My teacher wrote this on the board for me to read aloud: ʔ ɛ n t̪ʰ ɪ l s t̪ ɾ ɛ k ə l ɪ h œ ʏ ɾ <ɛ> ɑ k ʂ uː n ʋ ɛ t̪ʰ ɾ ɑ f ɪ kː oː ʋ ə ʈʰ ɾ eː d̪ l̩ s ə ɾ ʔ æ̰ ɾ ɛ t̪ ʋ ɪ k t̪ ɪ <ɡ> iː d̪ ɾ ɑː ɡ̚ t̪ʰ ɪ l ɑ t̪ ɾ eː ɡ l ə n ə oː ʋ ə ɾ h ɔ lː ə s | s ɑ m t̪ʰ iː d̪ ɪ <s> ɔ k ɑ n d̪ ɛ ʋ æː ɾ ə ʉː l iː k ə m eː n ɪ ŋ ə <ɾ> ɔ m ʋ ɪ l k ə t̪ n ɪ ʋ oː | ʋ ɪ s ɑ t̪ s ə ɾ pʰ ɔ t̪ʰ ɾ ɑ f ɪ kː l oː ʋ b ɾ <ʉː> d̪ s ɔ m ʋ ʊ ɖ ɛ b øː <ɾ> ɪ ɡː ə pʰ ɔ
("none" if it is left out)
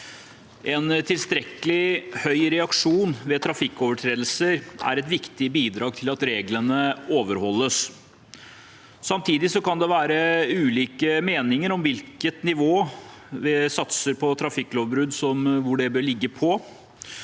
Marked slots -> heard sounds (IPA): ɛ, b, s, ɾ, ʉ, ɭ

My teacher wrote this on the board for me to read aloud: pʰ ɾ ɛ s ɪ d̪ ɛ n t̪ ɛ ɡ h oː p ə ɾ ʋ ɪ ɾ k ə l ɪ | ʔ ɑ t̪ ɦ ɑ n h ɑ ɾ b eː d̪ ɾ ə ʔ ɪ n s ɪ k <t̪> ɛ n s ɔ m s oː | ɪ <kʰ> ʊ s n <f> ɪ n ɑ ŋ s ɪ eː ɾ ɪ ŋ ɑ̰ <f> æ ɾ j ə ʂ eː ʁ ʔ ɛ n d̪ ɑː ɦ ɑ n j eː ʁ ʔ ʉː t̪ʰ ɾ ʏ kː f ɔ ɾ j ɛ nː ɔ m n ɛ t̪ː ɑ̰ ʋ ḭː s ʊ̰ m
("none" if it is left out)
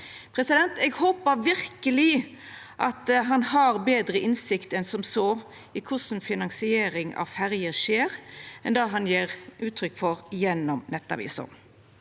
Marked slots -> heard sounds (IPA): t̪, kʰ, f, f

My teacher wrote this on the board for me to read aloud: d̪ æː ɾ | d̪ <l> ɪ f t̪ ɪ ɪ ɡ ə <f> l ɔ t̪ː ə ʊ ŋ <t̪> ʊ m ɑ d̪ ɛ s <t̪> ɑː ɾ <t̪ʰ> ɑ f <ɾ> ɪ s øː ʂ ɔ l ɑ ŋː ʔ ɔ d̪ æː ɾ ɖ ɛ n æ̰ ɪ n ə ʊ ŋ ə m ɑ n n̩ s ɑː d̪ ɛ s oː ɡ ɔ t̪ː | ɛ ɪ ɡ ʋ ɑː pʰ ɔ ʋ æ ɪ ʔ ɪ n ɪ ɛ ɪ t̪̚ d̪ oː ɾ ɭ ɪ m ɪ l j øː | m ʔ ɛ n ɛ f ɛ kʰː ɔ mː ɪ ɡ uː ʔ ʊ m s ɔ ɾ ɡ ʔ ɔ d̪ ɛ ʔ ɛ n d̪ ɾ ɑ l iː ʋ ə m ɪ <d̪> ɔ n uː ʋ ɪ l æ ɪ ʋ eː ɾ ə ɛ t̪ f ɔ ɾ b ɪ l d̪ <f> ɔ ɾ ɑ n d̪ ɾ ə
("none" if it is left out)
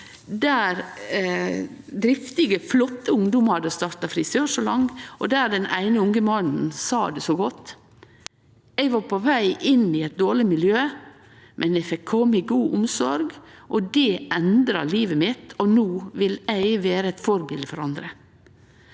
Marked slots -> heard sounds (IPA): ɾ, f, d̪, t̪, t̪, ɾ, t̪, f

